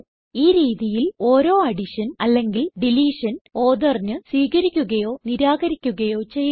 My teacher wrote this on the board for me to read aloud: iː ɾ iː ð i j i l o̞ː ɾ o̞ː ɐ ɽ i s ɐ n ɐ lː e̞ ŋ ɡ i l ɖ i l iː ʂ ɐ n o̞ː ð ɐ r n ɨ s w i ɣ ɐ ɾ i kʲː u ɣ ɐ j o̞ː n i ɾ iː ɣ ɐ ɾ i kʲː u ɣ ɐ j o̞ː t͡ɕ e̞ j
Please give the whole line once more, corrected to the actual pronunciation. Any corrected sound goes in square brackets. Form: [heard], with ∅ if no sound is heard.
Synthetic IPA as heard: iː ɾ iː ð i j i l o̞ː ɾ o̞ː ɐ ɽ i [ʂ] ɐ n ɐ lː e̞ ŋ ɡ i l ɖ i l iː ʂ ɐ n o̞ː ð ɐ r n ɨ s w [iː] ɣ ɐ ɾ i kʲː u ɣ ɐ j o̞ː n i ɾ [aː] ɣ ɐ ɾ i kʲː u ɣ ɐ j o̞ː t͡ɕ e̞ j

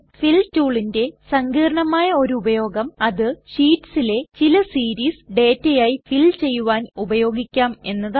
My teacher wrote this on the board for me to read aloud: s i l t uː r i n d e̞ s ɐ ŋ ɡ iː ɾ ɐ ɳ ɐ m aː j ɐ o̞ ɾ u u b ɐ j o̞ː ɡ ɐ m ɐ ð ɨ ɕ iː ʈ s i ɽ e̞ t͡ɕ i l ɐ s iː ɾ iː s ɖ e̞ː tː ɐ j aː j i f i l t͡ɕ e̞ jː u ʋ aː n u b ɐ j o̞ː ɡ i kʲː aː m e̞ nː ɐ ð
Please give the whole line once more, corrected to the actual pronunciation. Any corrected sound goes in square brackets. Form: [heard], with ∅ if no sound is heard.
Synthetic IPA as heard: [f] i l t uː [ɭ] i n d e̞ s ɐ ŋ ɡ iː ɾ ɐ ɳ ɐ m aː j ɐ o̞ ɾ u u b ɐ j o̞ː ɡ ɐ m ɐ ð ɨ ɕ iː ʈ s i [l] e̞ t͡ɕ i l ɐ s iː ɾ iː s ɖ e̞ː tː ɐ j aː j i f i l t͡ɕ e̞ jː u ʋ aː n u b ɐ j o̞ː ɡ i kʲː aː m e̞ nː ɐ ð

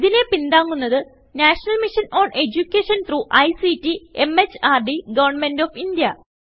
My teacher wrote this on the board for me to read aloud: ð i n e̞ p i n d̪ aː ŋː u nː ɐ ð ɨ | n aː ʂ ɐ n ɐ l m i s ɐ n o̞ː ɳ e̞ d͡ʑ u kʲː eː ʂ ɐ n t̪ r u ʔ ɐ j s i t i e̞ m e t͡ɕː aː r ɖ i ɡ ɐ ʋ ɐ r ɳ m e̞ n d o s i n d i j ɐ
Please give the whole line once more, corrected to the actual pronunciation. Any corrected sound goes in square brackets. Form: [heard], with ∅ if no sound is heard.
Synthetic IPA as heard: ð i n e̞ p i n d̪ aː ŋː u nː ɐ ð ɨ | n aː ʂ ɐ n ɐ l m i [ʂ] ɐ n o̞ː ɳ e̞ d͡ʑ u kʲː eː ʂ ɐ n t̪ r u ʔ ɐ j s i t i e̞ m e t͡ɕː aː r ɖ i ɡ ɐ ʋ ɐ r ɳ m e̞ n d o [f] i n d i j ɐ

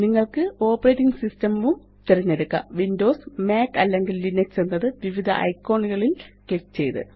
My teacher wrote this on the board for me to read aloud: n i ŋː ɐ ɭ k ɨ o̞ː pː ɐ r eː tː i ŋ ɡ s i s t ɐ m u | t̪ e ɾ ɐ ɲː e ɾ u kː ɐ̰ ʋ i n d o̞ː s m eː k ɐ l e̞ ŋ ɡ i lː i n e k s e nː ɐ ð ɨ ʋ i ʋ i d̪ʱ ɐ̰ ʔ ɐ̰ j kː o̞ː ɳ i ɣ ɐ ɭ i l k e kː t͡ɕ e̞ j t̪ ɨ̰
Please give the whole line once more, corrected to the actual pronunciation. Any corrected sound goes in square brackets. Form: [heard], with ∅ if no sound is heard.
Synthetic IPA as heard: n i ŋː ɐ ɭ k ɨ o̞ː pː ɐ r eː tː i ŋ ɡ s i s t ɐ m u | t̪ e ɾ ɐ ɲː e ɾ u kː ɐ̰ ʋ i n d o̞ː s m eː k ɐ [lː] e̞ ŋ ɡ i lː i n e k s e nː ɐ ð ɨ ʋ i ʋ i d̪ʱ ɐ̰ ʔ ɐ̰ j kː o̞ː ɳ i ɣ ɐ ɭ i l k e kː t͡ɕ e̞ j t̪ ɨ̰

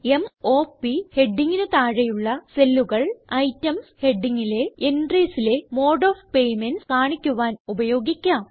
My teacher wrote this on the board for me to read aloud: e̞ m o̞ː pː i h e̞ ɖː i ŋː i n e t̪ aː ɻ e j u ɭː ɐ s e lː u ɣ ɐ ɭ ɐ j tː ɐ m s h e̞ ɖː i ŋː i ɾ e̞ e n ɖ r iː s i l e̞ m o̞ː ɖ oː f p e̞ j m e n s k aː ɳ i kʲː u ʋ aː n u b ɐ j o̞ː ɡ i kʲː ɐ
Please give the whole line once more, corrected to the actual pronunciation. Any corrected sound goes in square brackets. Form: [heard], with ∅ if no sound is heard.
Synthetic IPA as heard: e̞ m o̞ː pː i h e̞ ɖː i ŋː i n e t̪ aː ɻ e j u ɭː ɐ s e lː u ɣ ɐ ɭ ɐ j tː ɐ m s h e̞ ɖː i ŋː i [l] e̞ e n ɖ r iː s i l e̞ m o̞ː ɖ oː f p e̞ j m e n s k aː ɳ i kʲː u ʋ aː n u b ɐ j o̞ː ɡ i kʲː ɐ

